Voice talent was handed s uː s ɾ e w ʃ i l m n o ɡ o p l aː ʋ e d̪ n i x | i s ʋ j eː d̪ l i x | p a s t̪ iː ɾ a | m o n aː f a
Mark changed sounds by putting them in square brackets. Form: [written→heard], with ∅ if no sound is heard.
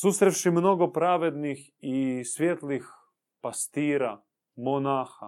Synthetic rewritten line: s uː s ɾ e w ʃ i [l→∅] m n o ɡ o p [l→ɾ] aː ʋ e d̪ n i x | i s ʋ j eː [d̪→t̪] l i x | p a s t̪ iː ɾ a | m o n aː [f→x] a